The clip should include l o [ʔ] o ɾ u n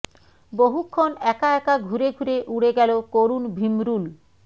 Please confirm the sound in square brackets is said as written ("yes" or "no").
no